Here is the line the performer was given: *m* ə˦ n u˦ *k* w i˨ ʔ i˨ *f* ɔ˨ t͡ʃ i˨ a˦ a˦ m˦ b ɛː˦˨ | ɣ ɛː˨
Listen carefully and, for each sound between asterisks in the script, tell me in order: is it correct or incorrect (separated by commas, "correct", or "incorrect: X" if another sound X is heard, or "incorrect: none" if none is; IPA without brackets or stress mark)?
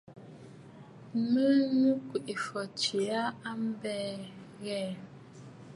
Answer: correct, correct, correct